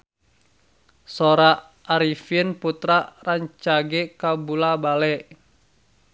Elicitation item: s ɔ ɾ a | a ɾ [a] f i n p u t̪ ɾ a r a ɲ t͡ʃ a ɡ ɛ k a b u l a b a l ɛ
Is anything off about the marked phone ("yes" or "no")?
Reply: yes